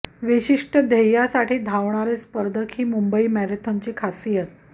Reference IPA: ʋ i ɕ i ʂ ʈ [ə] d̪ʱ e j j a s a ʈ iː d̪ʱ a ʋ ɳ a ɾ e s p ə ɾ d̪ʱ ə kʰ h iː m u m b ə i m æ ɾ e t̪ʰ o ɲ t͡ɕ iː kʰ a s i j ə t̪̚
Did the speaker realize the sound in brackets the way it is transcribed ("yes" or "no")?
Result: yes